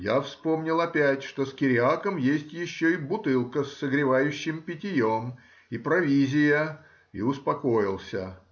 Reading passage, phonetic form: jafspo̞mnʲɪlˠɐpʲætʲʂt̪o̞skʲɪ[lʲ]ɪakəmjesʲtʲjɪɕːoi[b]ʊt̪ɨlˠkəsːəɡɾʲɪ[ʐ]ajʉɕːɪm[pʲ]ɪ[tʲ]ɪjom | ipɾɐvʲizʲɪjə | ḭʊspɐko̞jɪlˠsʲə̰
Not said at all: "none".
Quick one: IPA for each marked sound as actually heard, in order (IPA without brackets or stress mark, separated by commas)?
ɾʲ, b, v, pʲ, tʲ